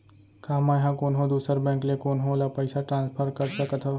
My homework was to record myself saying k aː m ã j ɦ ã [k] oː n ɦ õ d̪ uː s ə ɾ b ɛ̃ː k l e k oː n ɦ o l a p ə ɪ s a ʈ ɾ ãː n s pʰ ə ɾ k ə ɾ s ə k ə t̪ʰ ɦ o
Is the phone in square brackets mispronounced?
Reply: no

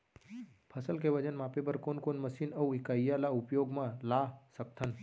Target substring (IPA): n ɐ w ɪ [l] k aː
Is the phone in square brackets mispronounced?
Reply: yes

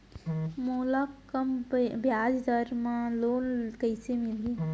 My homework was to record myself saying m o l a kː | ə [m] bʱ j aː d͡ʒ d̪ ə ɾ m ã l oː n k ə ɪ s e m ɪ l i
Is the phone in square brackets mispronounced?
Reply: no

